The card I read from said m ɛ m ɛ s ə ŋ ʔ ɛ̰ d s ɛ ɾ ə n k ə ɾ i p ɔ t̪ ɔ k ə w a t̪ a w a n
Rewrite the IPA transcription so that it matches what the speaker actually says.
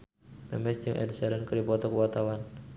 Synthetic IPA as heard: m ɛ m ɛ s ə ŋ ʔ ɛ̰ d s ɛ ɾ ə n k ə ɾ i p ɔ t̪ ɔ k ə w a t̪ a w a n